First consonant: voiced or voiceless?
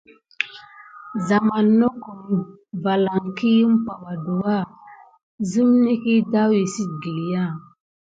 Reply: voiced